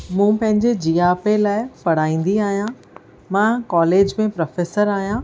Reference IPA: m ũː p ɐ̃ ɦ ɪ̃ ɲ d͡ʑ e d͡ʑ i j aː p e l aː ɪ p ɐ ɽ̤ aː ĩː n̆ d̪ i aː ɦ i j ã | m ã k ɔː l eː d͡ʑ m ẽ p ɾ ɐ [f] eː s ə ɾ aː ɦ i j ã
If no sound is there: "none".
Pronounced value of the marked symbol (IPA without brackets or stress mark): f